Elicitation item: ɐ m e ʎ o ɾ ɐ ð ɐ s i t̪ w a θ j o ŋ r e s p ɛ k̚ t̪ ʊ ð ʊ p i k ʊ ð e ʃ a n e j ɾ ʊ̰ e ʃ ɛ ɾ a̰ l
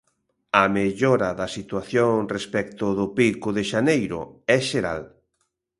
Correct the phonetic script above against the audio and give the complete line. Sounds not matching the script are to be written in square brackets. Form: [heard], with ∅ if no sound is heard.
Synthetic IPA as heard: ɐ m e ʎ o ɾ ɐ ð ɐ s i t̪ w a θ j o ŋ r e s p ɛ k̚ t̪ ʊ ð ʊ p i k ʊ ð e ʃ a n e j ɾ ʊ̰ [ɛ] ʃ [e] ɾ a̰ l

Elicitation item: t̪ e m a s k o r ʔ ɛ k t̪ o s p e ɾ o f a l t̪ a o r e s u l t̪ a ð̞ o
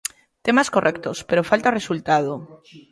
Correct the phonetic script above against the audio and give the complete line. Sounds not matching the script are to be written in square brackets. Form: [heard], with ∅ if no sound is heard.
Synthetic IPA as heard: t̪ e m a s k o r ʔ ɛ k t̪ o s p e ɾ o f a l t̪ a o r e s u l t̪ a ð̞ o

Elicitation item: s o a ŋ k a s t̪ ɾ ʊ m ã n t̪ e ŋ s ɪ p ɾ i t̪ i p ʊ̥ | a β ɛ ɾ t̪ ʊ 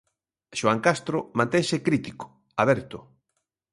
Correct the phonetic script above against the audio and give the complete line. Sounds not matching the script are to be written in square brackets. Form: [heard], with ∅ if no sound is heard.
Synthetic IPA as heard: [ʃ] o a ŋ k a s t̪ ɾ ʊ m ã n t̪ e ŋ s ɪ [k] ɾ i t̪ i [k] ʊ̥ | a β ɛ ɾ t̪ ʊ

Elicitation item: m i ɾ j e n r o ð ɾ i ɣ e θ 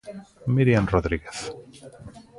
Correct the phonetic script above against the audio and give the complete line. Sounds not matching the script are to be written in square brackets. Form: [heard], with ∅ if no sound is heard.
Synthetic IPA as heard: m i ɾ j [a] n r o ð ɾ i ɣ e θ

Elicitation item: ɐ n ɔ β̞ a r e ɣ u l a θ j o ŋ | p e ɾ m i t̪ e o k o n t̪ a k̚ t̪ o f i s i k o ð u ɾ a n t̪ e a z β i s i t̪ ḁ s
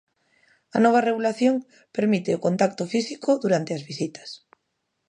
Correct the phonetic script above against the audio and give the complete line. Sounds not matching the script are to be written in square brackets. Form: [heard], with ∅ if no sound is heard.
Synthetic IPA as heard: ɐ n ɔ β̞ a r e ɣ u l a θ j o ŋ | p e ɾ m i t̪ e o k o n t̪ a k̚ t̪ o f i s i k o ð u ɾ a n t̪ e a z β i s i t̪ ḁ s

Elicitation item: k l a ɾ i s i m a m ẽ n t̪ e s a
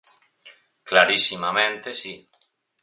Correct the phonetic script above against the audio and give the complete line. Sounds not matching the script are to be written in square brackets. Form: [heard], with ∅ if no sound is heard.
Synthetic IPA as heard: k l a ɾ i s i m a m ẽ n t̪ e s [i]

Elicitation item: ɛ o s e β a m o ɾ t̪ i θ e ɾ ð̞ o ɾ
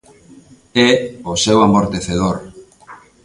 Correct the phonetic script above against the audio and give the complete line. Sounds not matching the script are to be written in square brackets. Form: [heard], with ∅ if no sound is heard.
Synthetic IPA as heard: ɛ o s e [w] a m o ɾ t̪ [e] θ e [∅] ð̞ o ɾ

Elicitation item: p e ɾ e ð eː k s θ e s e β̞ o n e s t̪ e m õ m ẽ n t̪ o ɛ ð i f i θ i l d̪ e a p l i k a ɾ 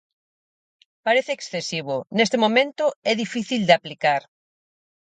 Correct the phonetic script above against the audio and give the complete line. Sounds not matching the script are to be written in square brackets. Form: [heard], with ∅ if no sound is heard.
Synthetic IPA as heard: p [a] ɾ e [θ] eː k s θ e s [i] β̞ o n e s t̪ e m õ m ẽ n t̪ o ɛ ð i f i θ i l d̪ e a p l i k a ɾ

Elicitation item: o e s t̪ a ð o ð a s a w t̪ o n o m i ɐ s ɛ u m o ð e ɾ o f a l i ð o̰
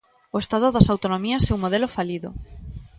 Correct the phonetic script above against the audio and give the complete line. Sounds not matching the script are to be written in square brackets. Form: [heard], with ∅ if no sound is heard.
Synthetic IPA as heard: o e s t̪ a ð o ð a s a w t̪ o n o m i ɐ s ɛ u m o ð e [l] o f a l i ð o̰

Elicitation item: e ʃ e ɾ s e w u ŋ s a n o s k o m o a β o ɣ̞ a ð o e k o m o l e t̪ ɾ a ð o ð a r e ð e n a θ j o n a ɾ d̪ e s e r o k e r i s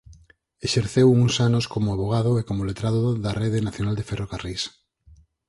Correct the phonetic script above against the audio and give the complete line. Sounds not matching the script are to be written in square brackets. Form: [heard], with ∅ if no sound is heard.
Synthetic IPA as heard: e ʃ e ɾ [θ] e w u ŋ s a n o s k o m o a β o ɣ̞ a ð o e k o m o l e t̪ ɾ a ð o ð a r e ð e n a θ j o n a [l] d̪ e [f] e r o k [a] r i s

